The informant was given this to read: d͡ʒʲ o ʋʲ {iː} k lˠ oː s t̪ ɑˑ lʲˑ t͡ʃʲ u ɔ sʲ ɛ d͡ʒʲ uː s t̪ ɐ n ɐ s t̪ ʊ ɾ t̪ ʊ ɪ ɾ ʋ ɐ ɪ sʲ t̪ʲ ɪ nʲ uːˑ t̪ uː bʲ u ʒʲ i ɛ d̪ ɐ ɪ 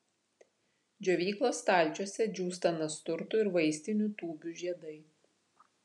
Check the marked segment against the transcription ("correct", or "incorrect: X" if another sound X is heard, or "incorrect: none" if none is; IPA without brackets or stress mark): correct